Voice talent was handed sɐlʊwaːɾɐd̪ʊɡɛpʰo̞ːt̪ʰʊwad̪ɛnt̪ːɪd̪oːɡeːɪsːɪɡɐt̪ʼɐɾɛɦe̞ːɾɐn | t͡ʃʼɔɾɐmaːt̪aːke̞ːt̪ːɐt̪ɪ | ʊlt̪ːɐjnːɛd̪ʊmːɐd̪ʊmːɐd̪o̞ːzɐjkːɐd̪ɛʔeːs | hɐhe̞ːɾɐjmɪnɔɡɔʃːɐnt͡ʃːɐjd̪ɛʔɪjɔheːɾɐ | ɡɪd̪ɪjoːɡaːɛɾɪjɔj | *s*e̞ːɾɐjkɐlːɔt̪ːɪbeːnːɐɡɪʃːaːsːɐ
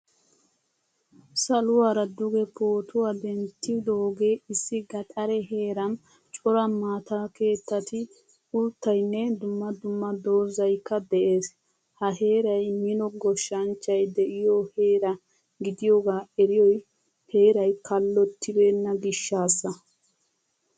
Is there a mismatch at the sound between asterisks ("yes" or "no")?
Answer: yes